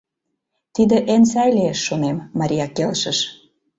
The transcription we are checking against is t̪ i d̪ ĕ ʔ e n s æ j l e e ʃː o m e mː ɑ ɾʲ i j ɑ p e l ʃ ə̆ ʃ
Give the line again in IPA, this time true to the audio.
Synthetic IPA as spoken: t̪ i d̪ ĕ ʔ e n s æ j l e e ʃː o n e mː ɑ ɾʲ i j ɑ k e l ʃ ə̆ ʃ